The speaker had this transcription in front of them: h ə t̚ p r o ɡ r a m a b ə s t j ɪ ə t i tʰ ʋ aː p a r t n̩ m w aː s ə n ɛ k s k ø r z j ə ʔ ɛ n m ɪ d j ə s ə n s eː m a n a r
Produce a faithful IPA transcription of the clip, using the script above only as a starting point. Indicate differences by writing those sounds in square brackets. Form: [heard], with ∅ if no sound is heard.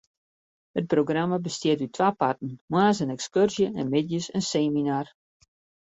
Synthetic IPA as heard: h ə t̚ p r o ɡ r a m a b ə s t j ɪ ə t [y] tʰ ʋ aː p a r t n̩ m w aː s ə n ɛ k s k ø r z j ə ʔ ɛ n m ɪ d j ə s ə n s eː m [i] n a r